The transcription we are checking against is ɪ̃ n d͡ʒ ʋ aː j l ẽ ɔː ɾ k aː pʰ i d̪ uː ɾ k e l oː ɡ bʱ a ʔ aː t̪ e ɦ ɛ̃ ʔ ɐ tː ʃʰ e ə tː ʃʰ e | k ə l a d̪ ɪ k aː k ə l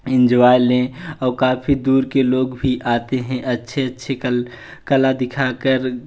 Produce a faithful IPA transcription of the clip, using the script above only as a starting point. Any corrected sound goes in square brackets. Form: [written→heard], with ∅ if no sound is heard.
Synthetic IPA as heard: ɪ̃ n d͡ʒ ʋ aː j l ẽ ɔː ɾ k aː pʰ i d̪ uː ɾ k e l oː ɡ bʱ [a→i] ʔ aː t̪ e ɦ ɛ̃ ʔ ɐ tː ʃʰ e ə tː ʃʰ e | k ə l a d̪ ɪ [k→kʰ] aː k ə [l→ɾ]

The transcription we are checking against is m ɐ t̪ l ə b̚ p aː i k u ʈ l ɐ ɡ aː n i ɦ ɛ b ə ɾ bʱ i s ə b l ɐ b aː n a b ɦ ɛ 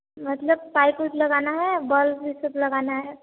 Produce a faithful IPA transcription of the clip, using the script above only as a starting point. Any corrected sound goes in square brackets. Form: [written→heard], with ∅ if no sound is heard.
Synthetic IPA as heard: m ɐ t̪ l ə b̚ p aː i k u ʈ l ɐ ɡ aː n [i→a] ɦ ɛ b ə [ɾ→l] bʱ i s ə b l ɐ [b→ɡ] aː n a [b→∅] ɦ ɛ

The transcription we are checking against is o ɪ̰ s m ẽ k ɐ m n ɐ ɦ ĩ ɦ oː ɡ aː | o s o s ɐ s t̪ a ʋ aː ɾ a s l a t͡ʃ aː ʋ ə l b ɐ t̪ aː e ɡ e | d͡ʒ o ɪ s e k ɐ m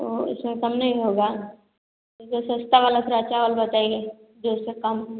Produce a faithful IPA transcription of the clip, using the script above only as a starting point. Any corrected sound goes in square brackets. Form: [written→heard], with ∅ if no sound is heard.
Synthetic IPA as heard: o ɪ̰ s m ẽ k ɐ m n ɐ ɦ ĩ ɦ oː ɡ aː | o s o s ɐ s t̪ a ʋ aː [ɾ→l] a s [l→ɾ] a t͡ʃ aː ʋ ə l b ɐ t̪ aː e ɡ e | d͡ʒ o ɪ s e k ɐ m

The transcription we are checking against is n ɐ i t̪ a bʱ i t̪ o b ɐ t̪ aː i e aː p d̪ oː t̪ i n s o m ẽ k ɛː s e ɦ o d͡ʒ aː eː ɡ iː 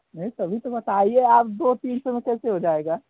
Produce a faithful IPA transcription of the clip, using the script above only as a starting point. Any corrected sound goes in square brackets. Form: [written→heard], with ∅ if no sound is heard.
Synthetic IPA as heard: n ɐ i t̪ [a→ɐ] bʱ i t̪ o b ɐ t̪ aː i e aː p d̪ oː t̪ [i→iː] n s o m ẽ k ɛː s e ɦ o d͡ʒ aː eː ɡ [iː→aː]

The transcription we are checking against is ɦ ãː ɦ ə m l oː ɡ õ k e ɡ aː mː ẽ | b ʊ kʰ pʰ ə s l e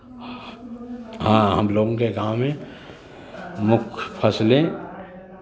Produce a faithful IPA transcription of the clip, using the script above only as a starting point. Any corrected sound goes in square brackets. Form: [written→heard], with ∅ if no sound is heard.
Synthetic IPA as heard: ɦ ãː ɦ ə m l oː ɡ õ k e ɡ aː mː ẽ | [b→m] ʊ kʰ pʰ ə s l e

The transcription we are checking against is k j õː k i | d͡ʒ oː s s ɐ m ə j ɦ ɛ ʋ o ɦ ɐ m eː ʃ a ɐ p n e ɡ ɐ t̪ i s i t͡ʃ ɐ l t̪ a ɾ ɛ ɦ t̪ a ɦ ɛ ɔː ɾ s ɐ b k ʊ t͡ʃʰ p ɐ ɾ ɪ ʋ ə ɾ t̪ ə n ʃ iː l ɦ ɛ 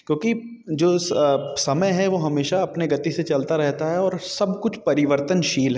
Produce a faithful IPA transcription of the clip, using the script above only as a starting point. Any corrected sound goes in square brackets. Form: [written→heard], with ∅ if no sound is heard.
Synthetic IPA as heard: k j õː k i | d͡ʒ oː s s ɐ m ə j ɦ ɛ ʋ o ɦ ɐ m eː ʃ a ɐ p n e ɡ ɐ t̪ i s [i→e] t͡ʃ ɐ l t̪ a ɾ ɛ ɦ t̪ a ɦ ɛ ɔː ɾ s ɐ b k ʊ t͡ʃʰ p ɐ ɾ ɪ ʋ ə ɾ t̪ ə n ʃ iː l ɦ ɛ

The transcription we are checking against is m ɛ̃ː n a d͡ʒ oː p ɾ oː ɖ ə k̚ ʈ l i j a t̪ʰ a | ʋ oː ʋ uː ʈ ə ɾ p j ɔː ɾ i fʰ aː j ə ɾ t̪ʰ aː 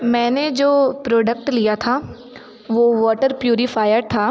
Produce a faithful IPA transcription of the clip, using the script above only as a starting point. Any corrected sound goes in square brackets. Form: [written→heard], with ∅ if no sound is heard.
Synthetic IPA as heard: m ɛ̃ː n [a→e] d͡ʒ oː p ɾ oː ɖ ə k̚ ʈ l i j a t̪ʰ a | ʋ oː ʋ [uː→ɔː] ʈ ə ɾ p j [ɔː→uː] ɾ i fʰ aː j ə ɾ t̪ʰ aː

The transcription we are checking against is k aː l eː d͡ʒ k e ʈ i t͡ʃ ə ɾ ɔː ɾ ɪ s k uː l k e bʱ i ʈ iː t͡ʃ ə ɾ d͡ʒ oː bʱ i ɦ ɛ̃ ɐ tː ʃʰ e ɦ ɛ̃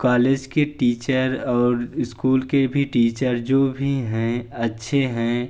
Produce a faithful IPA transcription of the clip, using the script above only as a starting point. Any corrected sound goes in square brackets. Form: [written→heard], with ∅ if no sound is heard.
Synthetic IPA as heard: k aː l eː d͡ʒ k e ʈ [i→iː] t͡ʃ ə ɾ ɔː ɾ ɪ s k uː l k e bʱ i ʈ iː t͡ʃ ə ɾ d͡ʒ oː bʱ i ɦ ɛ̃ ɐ tː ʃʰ e ɦ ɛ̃

